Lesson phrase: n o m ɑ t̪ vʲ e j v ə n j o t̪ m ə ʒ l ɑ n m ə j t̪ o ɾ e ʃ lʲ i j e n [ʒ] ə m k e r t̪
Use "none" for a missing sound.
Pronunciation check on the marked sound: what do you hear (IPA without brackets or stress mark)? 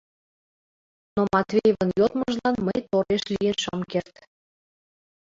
ʃ